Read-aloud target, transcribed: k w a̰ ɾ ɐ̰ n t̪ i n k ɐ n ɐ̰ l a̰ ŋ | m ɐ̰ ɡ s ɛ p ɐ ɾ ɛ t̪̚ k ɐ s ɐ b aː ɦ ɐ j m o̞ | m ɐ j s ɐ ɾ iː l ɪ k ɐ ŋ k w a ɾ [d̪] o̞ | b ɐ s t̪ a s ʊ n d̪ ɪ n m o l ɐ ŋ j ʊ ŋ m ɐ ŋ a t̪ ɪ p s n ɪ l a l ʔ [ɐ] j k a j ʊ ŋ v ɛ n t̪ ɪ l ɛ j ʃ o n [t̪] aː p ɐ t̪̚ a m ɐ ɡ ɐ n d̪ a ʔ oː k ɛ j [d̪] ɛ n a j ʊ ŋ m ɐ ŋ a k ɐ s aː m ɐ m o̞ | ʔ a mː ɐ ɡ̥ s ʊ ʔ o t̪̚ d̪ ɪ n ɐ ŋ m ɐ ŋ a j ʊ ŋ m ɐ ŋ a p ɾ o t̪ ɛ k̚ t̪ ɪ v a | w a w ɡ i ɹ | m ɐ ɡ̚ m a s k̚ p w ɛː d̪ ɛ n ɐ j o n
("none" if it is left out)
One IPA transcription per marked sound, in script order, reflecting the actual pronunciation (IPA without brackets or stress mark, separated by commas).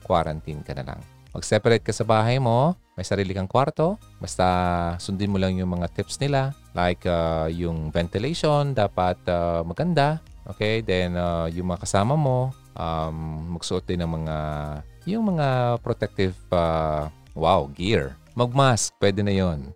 t̪, a, d̪, d̪